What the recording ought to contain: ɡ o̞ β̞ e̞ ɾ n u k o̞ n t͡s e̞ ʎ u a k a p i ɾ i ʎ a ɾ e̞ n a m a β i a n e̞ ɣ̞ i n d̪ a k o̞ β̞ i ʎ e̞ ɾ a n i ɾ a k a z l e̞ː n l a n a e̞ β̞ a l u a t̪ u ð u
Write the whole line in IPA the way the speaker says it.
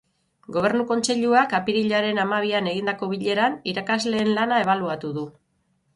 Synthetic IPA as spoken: ɡ o̞ β̞ e̞ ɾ n u k o̞ n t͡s e̞ ʎ u a k a p i ɾ i ʎ a ɾ e̞ n a m a β i a n e̞ ɣ̞ i n d̪ a k o̞ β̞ i ʎ e̞ ɾ a n i ɾ a k a z l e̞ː n l a n a e̞ β̞ a l u a t̪ u ð u

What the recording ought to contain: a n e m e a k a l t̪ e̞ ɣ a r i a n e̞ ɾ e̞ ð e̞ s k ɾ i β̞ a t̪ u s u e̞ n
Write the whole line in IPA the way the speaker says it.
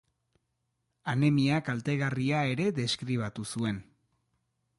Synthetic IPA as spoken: a n e m i a k a l t̪ e̞ ɣ a r i a e̞ ɾ e̞ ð e̞ s k ɾ i β̞ a t̪ u s u e̞ n

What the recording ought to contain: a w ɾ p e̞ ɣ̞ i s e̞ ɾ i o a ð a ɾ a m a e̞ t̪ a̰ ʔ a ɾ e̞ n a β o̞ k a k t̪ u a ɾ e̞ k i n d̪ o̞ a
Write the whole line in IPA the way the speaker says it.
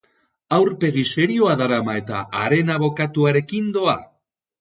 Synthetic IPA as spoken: a w ɾ p e̞ ɣ̞ i s e̞ ɾ i o a ð a ɾ a m a e̞ t̪ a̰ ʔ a ɾ e̞ n a β o̞ k a t̪ u a ɾ e̞ k i n d̪ o̞ a

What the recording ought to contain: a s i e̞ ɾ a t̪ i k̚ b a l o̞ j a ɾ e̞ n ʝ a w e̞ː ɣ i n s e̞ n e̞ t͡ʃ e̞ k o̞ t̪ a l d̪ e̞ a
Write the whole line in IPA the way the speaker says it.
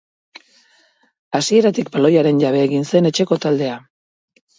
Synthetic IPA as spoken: a s i e̞ ɾ a t̪ i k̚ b a l o̞ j a ɾ e̞ n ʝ a β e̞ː ɣ i n s e̞ n e̞ t͡ʃ e̞ k o̞ t̪ a l d̪ e̞ a

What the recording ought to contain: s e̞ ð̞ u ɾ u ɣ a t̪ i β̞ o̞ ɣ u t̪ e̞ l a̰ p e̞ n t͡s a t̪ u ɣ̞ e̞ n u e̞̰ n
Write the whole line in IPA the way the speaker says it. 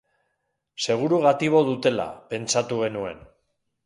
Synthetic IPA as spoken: s e̞ ɣ̞ u ɾ u ɣ a t̪ i β̞ o̞ ð u t̪ e̞ l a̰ p e̞ n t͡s a t̪ u ɣ̞ e̞ n u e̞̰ n

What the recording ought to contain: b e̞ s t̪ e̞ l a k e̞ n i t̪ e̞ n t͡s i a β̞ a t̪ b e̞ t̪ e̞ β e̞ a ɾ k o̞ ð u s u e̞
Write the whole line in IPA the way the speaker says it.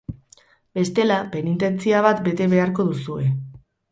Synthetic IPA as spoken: b e̞ s t̪ e̞ l a p e̞ n i t̪ e̞ n t͡s i a β̞ a t̪ b e̞ t̪ e̞ β e̞ a ɾ k o̞ ð u s u e̞

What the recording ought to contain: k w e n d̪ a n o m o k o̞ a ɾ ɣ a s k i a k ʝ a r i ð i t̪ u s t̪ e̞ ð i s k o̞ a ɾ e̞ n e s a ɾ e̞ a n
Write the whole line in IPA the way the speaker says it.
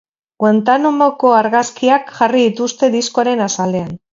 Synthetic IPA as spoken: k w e n t̪ a n o m o k o̞ a ɾ ɣ a s k i a k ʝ a r i ð i t̪ u s t̪ e̞ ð i s k o̞ a ɾ e̞ n a s a l e̞ a n

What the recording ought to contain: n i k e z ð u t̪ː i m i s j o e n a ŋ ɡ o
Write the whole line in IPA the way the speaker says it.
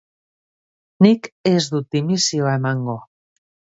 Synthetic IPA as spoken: n i k e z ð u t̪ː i m i s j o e m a ŋ ɡ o

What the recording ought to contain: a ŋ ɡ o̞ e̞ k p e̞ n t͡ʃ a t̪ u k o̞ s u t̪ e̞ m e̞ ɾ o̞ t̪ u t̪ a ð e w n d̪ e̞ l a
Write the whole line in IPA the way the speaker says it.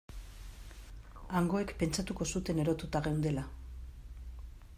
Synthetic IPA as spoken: a ŋ ɡ o̞ e̞ k p e̞ n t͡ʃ a t̪ u k o̞ s u t̪ e̞ n e̞ ɾ o̞ t̪ u t̪ a ɣ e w n d̪ e̞ l a

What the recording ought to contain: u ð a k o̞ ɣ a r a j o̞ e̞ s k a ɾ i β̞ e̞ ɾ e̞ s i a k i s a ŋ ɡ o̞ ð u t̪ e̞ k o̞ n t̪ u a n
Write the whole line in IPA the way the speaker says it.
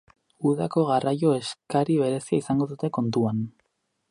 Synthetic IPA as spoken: u ð a k o̞ ɣ a r a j o̞ e̞ s k a ɾ i β̞ e̞ ɾ e̞ s i a i s a ŋ ɡ o̞ ð u t̪ e̞ k o̞ n t̪ u a n

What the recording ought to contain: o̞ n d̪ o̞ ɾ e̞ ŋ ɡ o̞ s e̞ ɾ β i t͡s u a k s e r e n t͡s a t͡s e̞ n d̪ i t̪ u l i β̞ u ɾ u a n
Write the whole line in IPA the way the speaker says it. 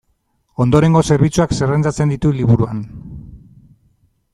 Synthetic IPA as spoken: o̞ n d̪ o̞ ɾ e̞ ŋ ɡ o̞ s e̞ ɾ β i t͡s u a k s e r e n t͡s a t͡s e̞ n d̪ i t̪ u l i β̞ u ɾ u a n

